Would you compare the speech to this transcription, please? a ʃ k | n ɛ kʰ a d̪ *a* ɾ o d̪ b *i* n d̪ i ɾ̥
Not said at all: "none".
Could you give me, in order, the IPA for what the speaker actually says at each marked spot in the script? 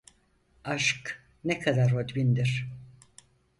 a, i

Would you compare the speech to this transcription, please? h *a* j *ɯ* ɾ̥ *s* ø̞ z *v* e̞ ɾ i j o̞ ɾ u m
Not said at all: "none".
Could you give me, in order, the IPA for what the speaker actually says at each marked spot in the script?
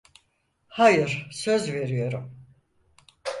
a, ɯ, s, v

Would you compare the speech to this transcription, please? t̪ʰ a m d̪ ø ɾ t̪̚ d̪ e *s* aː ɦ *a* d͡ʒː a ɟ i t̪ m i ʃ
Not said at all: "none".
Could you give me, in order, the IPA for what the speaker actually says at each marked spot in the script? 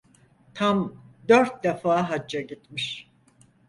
f, a

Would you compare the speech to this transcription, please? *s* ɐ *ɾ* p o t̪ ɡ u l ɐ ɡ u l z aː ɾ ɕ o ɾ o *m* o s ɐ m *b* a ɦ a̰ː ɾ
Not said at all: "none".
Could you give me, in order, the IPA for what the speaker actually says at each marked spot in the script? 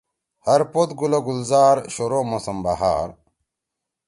h, ɾ, m, b

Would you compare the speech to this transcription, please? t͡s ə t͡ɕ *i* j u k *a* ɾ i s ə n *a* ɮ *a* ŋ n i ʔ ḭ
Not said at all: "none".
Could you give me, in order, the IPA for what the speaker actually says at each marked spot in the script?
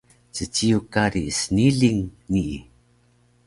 i, a, i, i

